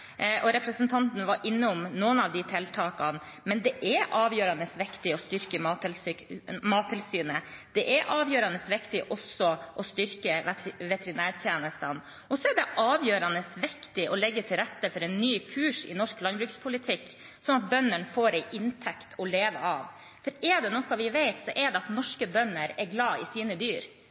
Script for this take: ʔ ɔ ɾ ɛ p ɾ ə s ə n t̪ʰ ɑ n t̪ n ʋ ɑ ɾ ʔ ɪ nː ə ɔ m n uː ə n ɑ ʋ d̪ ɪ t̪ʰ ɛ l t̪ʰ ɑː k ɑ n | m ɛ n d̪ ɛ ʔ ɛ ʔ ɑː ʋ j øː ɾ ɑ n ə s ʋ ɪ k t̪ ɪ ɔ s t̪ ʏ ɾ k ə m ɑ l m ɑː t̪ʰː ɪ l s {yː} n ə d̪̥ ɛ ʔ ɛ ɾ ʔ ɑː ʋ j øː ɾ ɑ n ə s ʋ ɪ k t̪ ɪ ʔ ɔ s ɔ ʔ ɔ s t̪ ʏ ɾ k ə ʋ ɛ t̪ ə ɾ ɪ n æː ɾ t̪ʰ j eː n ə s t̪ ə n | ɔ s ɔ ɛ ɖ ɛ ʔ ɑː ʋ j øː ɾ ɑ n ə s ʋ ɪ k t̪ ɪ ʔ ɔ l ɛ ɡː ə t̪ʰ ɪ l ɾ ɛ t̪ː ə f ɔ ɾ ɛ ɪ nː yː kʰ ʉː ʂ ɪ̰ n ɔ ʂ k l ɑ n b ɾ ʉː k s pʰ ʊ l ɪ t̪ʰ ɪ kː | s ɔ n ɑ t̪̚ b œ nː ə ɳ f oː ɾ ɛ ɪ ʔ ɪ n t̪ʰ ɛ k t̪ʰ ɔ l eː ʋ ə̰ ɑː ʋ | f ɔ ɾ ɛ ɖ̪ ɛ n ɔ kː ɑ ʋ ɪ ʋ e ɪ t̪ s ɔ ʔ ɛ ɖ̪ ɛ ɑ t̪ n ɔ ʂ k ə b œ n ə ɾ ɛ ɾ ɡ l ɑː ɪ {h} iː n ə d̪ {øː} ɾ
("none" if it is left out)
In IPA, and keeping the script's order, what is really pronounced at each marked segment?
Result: yː, s, yː

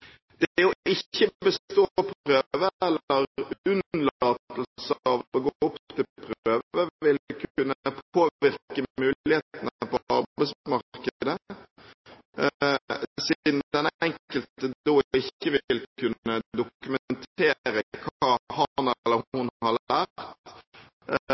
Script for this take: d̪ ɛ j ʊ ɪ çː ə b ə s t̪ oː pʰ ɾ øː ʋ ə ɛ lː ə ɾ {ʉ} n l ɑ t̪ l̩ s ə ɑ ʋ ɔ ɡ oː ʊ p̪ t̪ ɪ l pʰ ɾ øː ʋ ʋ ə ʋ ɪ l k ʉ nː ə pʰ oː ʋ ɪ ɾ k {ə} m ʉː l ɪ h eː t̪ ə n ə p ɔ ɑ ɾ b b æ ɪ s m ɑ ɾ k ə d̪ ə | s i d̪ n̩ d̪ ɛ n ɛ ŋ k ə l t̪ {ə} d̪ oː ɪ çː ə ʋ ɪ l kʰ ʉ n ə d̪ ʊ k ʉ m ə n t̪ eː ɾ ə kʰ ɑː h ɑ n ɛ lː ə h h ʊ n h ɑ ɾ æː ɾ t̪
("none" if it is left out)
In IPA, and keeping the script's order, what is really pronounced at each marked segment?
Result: ʉ, ə, ə

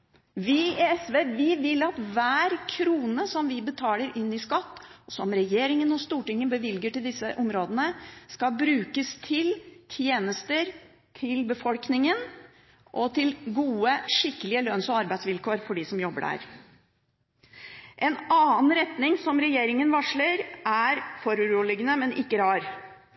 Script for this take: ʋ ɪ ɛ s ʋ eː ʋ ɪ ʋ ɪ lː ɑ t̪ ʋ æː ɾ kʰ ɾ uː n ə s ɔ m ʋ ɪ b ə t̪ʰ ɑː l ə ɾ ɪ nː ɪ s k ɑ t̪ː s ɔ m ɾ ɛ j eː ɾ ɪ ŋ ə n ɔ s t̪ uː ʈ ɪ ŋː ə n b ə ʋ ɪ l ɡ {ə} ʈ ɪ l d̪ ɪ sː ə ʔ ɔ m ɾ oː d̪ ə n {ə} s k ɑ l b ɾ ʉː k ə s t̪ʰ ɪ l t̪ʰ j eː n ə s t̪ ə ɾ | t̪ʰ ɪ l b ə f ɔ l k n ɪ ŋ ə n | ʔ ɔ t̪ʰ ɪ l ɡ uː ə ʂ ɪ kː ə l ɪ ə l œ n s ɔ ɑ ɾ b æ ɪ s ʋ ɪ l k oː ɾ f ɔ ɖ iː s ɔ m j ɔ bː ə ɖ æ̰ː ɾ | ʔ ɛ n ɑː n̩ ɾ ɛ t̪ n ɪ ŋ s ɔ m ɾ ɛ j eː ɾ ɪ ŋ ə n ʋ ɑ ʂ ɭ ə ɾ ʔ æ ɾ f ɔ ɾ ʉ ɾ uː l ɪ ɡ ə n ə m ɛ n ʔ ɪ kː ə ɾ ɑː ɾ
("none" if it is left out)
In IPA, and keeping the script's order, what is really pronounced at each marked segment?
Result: ə, ə

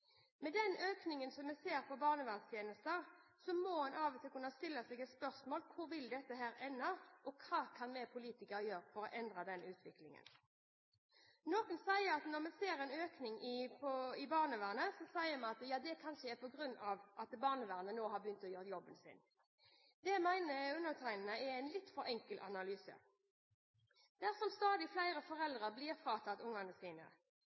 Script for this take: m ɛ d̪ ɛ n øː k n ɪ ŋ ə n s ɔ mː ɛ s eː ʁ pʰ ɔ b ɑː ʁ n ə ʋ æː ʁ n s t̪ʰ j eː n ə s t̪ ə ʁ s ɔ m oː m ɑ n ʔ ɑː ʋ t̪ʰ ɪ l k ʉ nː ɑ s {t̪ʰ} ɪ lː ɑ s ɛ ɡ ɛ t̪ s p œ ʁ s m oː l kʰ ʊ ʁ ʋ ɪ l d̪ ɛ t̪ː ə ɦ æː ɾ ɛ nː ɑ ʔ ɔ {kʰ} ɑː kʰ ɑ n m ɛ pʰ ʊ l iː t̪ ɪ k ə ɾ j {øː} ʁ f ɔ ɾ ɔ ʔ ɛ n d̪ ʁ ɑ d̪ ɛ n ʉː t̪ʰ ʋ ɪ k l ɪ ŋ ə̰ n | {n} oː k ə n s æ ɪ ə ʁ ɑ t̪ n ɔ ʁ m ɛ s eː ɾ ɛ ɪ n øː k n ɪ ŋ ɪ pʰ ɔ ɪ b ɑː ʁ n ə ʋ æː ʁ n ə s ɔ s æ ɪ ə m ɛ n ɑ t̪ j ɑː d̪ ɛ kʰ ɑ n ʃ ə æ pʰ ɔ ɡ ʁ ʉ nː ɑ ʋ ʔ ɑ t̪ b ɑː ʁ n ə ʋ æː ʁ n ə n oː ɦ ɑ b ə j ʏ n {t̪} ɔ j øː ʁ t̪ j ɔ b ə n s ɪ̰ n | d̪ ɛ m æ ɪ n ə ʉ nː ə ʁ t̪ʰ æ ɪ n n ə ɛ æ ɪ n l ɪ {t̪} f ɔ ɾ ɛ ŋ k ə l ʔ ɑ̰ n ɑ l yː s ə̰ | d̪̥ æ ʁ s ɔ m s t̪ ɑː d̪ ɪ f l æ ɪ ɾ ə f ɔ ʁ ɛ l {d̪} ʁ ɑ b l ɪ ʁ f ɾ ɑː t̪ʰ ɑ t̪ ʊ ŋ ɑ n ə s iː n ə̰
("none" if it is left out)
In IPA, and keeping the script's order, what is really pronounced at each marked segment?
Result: t̪, kʰ, øː, n, t̪, t̪, d̪

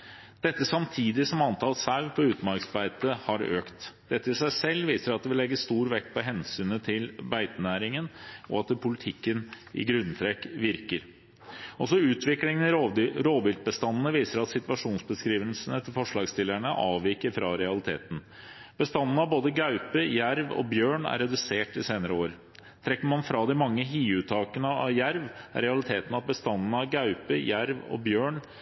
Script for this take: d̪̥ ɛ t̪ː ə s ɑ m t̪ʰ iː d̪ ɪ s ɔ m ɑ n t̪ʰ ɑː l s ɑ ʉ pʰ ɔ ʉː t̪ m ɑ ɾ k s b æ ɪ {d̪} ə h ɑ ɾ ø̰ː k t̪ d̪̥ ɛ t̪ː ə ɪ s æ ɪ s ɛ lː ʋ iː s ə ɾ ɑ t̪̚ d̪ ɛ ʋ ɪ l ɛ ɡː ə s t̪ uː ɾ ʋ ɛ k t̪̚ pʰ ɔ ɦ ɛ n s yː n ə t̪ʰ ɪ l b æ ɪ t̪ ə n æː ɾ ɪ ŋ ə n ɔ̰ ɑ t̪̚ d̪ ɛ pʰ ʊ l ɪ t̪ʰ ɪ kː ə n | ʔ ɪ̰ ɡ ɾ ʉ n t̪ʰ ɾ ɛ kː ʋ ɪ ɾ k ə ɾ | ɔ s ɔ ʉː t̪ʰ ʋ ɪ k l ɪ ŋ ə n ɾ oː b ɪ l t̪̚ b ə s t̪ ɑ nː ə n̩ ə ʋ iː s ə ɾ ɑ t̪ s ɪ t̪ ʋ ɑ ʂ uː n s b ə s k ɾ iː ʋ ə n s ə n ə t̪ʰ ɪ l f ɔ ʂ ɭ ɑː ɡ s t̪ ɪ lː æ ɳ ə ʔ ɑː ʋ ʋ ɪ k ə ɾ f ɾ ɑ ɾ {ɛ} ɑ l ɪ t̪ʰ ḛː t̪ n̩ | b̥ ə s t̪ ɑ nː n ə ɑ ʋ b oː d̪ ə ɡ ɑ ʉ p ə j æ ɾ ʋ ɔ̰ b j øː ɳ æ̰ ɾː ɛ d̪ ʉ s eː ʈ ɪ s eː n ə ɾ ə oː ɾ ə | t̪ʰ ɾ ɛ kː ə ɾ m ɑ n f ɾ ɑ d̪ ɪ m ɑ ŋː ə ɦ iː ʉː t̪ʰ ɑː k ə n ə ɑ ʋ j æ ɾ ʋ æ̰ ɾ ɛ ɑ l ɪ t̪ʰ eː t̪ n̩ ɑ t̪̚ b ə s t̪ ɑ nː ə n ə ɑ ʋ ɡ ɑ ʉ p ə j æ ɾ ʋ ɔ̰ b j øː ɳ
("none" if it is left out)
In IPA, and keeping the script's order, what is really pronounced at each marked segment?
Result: t̪, ɛ

